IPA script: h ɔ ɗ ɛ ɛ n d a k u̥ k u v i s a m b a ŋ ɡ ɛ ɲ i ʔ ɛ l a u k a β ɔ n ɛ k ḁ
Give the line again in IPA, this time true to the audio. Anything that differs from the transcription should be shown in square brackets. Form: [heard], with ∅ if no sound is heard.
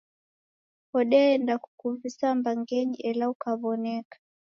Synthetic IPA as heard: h ɔ ɗ ɛ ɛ n d a k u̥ k u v i s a m b a ŋ ɡ ɛ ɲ i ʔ ɛ l a u k a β ɔ n ɛ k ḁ